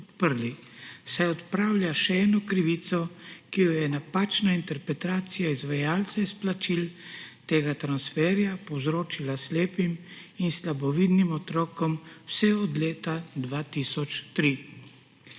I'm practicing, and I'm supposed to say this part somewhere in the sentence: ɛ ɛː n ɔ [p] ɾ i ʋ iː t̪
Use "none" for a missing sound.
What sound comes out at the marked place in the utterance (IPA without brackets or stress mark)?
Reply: k